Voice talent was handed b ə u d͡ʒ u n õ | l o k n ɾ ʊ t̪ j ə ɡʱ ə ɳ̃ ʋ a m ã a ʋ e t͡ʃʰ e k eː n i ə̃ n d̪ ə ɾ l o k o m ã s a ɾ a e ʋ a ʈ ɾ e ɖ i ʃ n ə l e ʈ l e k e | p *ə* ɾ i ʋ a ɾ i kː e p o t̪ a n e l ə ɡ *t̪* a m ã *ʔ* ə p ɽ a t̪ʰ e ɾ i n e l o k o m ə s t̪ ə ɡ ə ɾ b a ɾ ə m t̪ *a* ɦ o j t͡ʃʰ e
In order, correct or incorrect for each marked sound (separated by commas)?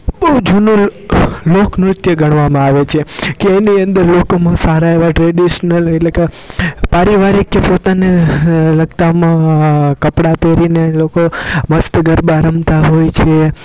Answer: incorrect, correct, incorrect, correct